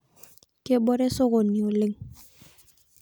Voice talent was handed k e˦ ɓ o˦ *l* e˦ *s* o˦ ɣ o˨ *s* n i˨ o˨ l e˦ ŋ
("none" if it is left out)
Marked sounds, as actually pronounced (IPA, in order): ɾ, s, none

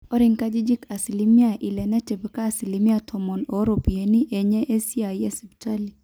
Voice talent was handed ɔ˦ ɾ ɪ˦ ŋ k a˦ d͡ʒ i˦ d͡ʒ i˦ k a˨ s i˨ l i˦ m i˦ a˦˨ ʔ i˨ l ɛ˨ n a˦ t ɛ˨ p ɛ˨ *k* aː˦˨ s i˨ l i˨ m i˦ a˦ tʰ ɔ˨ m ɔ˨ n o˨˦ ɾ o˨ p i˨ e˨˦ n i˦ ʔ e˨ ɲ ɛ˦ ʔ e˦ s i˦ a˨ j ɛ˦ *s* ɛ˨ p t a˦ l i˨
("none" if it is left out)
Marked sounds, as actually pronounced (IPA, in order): k, s

